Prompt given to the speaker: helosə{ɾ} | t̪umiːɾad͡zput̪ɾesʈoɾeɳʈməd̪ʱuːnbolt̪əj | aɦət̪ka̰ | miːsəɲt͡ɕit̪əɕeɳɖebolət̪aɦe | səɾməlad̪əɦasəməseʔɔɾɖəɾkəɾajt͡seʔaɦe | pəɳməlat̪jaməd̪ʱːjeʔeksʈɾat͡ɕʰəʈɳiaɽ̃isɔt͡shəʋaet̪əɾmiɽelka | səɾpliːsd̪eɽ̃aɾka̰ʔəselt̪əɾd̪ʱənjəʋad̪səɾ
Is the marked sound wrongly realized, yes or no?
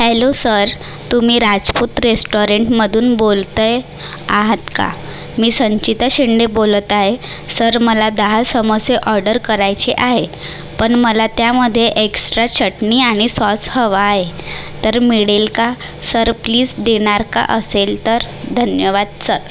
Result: no